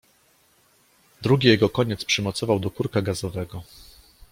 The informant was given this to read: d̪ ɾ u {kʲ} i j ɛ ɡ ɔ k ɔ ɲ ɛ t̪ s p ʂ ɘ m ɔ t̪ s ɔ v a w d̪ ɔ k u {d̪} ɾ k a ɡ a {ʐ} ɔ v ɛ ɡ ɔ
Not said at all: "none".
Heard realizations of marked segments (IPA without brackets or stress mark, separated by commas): ɡʲ, none, z